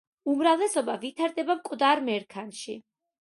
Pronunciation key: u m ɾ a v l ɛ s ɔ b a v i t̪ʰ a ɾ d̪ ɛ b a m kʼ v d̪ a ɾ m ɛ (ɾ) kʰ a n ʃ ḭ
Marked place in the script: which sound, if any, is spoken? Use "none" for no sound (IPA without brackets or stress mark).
ɾ